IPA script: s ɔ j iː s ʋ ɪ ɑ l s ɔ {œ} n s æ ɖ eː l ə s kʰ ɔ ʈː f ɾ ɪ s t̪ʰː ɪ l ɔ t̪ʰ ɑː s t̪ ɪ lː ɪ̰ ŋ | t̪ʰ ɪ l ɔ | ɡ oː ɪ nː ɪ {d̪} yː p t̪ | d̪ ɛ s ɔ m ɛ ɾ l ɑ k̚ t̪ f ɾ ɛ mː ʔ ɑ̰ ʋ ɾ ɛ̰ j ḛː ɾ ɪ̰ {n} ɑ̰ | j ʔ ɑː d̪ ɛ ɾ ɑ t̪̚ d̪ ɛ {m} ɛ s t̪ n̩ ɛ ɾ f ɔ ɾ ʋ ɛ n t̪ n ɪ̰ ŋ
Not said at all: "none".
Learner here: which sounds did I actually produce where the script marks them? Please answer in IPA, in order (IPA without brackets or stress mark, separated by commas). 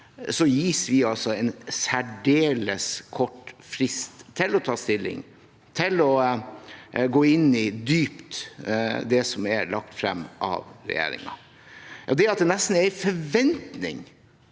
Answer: ɛ, d̪, ŋ, n